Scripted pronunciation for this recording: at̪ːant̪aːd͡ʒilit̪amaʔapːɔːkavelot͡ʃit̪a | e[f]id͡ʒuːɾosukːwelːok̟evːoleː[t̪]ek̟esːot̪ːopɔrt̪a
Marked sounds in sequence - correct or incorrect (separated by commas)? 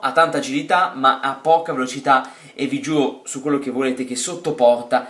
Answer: incorrect, correct